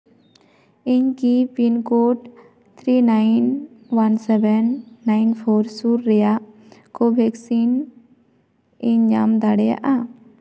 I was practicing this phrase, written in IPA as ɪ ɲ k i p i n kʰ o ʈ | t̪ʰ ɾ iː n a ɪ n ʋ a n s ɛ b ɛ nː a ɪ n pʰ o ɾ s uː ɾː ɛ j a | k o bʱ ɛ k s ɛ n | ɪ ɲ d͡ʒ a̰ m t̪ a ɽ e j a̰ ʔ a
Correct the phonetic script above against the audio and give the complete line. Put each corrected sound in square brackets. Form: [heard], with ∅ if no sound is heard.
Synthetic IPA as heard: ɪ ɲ k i p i n [k] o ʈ | t̪ʰ ɾ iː n a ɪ n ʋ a n s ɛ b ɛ nː a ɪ n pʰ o ɾ s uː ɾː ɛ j a | k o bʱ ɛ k s [i] n | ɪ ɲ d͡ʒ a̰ m [d̪] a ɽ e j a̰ ʔ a

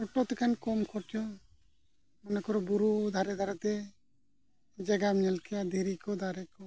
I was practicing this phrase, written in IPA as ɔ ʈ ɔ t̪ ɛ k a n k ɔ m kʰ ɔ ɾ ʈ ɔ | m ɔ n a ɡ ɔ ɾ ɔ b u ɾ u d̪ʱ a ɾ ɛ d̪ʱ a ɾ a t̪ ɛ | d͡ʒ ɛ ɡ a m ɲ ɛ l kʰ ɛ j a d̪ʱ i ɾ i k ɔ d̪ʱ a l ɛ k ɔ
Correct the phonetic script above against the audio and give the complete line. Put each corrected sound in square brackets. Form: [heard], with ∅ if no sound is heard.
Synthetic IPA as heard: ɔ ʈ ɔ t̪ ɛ k a n k ɔ m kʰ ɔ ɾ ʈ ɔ | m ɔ n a [k] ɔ ɾ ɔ b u ɾ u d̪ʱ a ɾ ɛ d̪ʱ a ɾ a t̪ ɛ | d͡ʒ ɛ ɡ a m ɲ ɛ l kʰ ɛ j a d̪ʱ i ɾ i k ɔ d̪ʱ a [ɾ] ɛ k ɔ

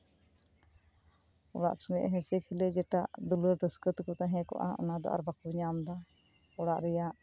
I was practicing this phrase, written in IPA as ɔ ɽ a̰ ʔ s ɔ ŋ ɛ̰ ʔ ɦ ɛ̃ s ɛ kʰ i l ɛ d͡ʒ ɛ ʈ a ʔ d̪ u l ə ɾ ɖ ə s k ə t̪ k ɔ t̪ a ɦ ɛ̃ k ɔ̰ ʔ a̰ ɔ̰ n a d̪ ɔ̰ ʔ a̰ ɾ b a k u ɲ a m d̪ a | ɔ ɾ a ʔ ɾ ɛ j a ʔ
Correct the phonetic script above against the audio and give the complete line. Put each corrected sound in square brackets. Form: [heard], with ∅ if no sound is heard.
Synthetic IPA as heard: ɔ ɽ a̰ ʔ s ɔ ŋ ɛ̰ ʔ ɦ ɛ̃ s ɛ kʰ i l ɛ d͡ʒ ɛ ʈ a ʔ d̪ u l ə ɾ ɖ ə s k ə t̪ k ɔ t̪ a ɦ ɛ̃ k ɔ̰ ʔ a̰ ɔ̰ n a d̪ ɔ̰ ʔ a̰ ɾ b a k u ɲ a m d̪ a | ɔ [ɽ] a ʔ ɾ ɛ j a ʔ

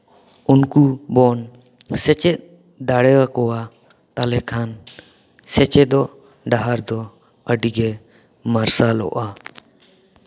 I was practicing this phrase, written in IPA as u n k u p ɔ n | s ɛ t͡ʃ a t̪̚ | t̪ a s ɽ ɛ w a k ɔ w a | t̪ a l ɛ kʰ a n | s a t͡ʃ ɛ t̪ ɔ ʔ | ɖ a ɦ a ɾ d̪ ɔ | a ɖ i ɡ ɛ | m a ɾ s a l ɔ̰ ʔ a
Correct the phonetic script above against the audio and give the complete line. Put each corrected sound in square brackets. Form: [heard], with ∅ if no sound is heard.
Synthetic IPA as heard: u n k u [b] ɔ n | s ɛ t͡ʃ [ɛ] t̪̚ | [d̪] a [∅] ɽ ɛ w a k ɔ w a | t̪ a l ɛ kʰ a n | s [ɛ] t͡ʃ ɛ [d̪] ɔ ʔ | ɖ a ɦ a ɾ d̪ ɔ | [ə] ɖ i ɡ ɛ | m a ɾ s a l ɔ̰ ʔ a

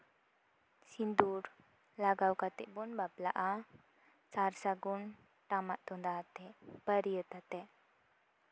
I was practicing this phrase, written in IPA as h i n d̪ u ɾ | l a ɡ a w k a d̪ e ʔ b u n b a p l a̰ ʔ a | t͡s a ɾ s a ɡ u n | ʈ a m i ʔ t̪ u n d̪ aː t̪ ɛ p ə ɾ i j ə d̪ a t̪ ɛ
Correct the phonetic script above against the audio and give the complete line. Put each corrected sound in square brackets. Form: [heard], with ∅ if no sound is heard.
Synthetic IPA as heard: [s] i n d̪ u ɾ | l a ɡ a w k a [t̪] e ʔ b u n b a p l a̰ ʔ a | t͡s a ɾ s a ɡ u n | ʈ a m [a] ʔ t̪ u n d̪ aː t̪ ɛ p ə ɾ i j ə [t̪] a t̪ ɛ

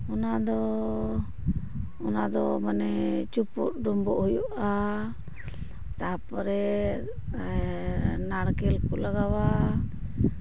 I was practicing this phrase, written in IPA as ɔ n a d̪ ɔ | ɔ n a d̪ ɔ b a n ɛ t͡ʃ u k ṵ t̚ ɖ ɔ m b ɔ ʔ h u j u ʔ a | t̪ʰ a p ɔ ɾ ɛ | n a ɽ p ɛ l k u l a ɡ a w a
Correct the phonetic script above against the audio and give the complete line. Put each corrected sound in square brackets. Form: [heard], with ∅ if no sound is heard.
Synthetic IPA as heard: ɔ n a d̪ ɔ | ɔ n a d̪ ɔ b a n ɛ t͡ʃ u [p] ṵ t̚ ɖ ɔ m b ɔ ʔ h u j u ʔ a | [t̪] a p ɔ ɾ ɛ | n a ɽ [k] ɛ l k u l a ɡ a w a

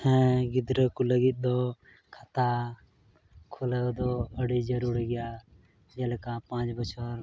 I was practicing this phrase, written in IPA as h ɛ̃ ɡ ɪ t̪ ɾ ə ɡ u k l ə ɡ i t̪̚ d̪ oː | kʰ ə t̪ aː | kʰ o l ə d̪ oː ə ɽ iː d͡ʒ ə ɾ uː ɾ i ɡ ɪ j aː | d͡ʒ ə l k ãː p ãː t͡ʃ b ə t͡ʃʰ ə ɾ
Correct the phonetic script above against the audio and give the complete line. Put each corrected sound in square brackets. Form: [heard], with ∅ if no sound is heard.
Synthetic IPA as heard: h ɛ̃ ɡ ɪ [d̪] ɾ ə [k] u [∅] l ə ɡ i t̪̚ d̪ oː | kʰ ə t̪ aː | kʰ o l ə d̪ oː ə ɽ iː d͡ʒ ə ɾ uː ɾ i ɡ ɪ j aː | d͡ʒ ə l k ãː p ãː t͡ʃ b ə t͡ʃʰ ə ɾ

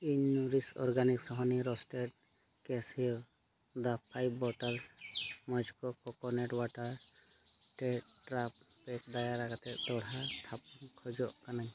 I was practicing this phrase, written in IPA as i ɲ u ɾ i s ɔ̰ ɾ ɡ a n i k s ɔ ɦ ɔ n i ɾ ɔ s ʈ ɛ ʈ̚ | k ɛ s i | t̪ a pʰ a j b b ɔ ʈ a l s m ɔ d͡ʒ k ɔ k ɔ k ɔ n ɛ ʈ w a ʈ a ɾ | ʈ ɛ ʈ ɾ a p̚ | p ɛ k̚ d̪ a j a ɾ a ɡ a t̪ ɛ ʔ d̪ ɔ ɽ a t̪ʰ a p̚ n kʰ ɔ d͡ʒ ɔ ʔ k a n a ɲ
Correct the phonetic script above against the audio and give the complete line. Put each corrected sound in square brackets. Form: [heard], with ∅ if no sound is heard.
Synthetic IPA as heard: i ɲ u ɾ i s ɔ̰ ɾ ɡ a n i k s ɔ ɦ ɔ n i ɾ ɔ s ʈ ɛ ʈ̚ | k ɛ s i | [d̪] a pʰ a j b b ɔ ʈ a l s m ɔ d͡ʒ k ɔ k ɔ k ɔ n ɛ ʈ w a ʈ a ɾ | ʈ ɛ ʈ ɾ a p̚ | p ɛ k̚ d̪ a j a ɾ a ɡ a t̪ ɛ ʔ d̪ ɔ ɽ a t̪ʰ a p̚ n kʰ ɔ d͡ʒ ɔ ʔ k a n a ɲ

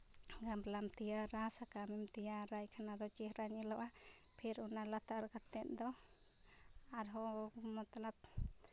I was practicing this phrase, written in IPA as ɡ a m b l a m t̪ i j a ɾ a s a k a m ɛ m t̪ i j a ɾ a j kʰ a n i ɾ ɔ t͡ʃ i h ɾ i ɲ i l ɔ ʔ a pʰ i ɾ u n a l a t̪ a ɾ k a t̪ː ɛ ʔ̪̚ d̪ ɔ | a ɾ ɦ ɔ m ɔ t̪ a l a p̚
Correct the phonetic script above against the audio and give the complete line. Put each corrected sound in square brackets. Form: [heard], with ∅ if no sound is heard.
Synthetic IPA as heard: ɡ a m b l a m t̪ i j a ɾ a s a k a m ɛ m t̪ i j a ɾ a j kʰ a n [a] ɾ ɔ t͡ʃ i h ɾ [a] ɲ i l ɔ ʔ a pʰ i ɾ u n a l a t̪ a ɾ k a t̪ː ɛ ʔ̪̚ d̪ ɔ | a ɾ ɦ ɔ m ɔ t̪ a l a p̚

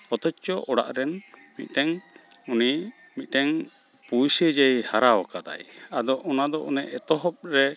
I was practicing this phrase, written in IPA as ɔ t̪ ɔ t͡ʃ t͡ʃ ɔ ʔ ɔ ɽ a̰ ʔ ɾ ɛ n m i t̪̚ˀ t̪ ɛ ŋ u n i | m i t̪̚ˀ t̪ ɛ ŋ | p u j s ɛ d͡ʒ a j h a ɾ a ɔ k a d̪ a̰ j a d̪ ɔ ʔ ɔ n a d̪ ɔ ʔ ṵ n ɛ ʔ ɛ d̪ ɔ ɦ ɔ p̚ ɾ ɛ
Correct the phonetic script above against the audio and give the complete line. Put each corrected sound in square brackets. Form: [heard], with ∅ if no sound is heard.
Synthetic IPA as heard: ɔ t̪ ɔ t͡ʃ t͡ʃ ɔ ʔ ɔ ɽ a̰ ʔ ɾ ɛ n m i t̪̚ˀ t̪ ɛ ŋ u n i | m i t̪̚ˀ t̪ ɛ ŋ | p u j s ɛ d͡ʒ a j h a ɾ a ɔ k a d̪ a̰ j a d̪ ɔ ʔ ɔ n a d̪ ɔ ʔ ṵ n ɛ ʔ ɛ [t̪] ɔ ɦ ɔ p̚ ɾ ɛ

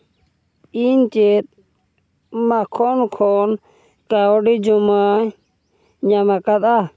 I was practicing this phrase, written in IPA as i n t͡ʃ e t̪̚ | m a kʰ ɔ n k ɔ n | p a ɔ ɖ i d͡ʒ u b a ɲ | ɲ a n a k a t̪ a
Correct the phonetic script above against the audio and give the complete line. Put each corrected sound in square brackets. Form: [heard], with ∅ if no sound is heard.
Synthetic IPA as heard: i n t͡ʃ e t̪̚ | m a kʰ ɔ n [kʰ] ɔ n | [k] a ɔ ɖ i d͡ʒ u [m] a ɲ | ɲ a [m] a k a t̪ a

